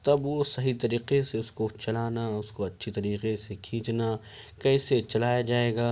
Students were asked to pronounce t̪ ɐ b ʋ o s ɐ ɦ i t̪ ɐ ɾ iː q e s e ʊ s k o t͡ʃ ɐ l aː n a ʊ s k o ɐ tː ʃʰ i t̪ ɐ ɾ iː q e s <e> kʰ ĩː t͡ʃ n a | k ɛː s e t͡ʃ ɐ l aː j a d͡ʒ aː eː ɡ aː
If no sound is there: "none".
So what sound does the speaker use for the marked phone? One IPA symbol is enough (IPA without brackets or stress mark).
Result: e